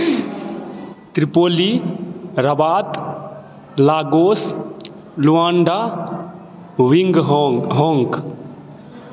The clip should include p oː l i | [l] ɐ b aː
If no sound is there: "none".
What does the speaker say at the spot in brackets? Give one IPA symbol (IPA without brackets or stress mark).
ɾ